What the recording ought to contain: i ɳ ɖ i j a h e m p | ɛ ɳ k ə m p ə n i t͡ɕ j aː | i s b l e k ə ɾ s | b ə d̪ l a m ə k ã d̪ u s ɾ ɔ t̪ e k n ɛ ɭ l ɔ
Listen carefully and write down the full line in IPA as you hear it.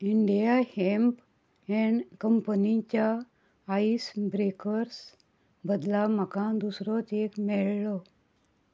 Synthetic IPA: i ɳ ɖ i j a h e m p | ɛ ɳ k ə m p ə n i t͡ɕ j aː | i s b ɾ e k ə ɾ s | b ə d̪ l a m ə k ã d̪ u s ɾ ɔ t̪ e k m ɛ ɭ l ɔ

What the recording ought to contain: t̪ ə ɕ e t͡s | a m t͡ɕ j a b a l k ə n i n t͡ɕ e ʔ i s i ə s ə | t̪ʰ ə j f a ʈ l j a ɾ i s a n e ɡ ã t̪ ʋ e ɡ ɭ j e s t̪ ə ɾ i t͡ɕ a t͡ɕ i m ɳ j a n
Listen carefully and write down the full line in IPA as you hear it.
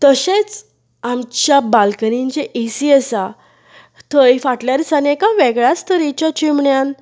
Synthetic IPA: t̪ ə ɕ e t͡s | a m t͡ɕ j a b a l k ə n i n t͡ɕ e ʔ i s i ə s a | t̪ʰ ə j f a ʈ l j a ɾ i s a n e k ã ʋ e ɡ ɭ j a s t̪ ə ɾ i t͡ɕ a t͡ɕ i m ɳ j a n

